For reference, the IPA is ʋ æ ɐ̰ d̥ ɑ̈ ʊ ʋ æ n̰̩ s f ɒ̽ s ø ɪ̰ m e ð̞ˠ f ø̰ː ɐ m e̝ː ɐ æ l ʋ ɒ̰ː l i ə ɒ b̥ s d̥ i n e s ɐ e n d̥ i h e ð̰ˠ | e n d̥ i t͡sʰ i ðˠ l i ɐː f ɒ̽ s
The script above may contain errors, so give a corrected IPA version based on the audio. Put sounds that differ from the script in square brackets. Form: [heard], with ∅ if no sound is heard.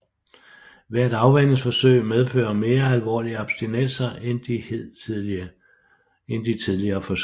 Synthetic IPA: ʋ æ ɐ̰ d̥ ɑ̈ ʊ ʋ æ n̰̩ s f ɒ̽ s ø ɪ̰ m e ð̞ˠ f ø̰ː ɐ m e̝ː ɐ æ l ʋ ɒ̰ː l i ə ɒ b̥ s d̥ i n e s ɐ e n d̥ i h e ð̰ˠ | e n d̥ i t͡sʰ i ðˠ l i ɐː f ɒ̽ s